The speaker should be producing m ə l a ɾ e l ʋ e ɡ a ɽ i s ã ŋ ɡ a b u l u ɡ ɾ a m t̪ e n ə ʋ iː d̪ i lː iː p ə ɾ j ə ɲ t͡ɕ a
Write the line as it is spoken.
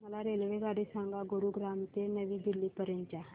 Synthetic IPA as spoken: m ə l a ɾ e l ʋ e ɡ a ɽ i s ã ŋ ɡ a ɡ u ɾ u ɡ ɾ a m t̪ e n ə ʋ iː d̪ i lː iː p ə ɾ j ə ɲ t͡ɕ a

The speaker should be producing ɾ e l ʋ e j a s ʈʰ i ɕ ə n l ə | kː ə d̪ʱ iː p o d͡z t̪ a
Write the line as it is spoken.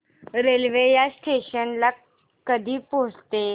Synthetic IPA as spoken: ɾ e l ʋ e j a s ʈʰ e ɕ ə n l a | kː ə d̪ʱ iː p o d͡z t̪ e

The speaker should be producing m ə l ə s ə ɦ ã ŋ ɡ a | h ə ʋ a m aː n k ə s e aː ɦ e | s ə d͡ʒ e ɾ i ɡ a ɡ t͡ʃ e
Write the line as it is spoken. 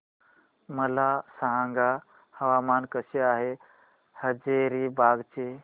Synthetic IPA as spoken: m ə l a s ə ɦ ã ŋ ɡ a | h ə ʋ a m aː n k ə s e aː ɦ e | h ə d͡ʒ e ɾ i b a ɡ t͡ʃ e

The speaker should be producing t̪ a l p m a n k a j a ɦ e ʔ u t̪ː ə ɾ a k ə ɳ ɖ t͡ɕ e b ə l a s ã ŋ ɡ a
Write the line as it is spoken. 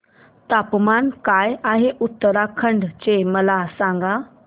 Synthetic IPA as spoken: t̪ a p m a n k a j a ɦ e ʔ u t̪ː ə ɾ a kʰ ə ɳ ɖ t͡ɕ e m ə l a s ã ŋ ɡ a

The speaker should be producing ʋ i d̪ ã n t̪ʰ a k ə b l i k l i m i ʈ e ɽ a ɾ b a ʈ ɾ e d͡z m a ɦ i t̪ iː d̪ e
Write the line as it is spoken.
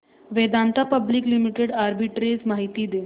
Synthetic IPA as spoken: ʋ e d̪ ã n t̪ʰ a p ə b l i k l i m i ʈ e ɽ a ɾ b i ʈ ɾ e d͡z m a ɦ i t̪ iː d̪ e

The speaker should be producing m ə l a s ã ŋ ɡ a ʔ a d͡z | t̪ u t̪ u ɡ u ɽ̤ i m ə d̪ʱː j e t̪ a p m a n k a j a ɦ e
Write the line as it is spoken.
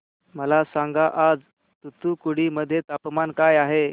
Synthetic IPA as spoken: m ə l a s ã ŋ ɡ a ʔ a d͡z | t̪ u t̪ u k u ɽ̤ i m ə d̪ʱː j e t̪ a p m a n k a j a ɦ e

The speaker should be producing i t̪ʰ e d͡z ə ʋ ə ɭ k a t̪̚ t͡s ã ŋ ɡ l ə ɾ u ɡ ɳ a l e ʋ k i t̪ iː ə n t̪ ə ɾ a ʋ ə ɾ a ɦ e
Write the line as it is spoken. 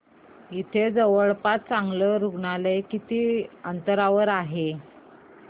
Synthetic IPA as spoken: i t̪ʰ e d͡z ə ʋ ə ɭ p a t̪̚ t͡s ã ŋ ɡ l ə ɾ u ɡ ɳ a l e k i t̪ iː ə n t̪ ə ɾ a ʋ ə ɾ a ɦ e

